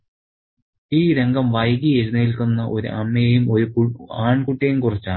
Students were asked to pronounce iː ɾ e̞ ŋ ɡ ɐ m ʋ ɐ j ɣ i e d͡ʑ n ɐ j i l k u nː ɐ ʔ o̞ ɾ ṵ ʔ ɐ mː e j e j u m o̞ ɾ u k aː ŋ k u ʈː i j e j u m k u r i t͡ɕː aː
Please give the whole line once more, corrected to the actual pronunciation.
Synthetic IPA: iː ɾ e̞ ŋ ɡ ɐ m ʋ ɐ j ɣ i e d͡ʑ n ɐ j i l k u nː ɐ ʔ o̞ ɾ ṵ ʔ ɐ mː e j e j u m o̞ ɾ u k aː ɳ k u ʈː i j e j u m k u r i t͡ɕː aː